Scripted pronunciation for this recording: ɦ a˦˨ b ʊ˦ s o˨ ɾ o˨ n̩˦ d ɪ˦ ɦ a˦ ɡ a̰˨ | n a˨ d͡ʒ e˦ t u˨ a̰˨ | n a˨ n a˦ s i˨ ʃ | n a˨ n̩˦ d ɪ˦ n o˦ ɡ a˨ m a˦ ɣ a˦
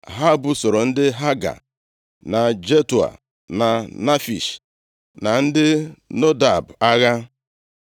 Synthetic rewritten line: ɦ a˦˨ b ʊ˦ s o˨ ɾ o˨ n̩˦ d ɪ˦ ɦ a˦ ɡ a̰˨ | n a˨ d͡ʒ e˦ t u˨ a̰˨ | n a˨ n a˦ f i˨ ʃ | n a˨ n̩˦ d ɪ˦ n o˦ d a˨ b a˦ ɣ a˦